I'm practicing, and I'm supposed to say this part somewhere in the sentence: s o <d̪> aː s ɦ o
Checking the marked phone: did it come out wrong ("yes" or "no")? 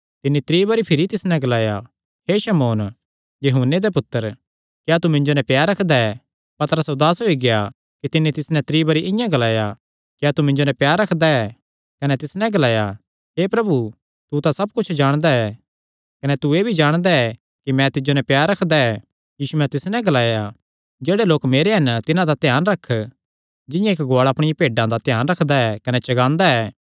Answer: no